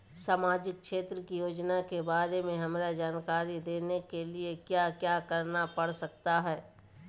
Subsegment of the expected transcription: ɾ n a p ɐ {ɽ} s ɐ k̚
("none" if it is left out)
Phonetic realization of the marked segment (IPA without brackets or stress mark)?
ɽ